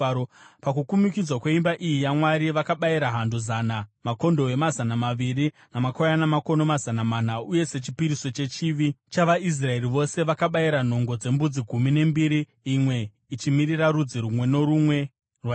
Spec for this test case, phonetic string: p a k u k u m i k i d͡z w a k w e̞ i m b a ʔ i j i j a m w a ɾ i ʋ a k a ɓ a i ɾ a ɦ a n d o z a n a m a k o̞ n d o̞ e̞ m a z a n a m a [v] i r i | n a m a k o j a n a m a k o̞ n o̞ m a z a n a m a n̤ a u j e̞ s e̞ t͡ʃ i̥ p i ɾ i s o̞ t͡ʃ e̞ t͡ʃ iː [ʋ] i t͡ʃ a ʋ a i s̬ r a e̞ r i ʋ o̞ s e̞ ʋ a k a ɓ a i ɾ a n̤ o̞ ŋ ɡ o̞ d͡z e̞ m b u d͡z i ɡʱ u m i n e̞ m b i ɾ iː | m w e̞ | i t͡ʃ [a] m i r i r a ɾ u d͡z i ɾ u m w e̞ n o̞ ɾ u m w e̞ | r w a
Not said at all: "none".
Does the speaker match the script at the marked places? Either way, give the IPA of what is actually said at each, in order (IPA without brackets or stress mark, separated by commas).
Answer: ʋ, ʋ, i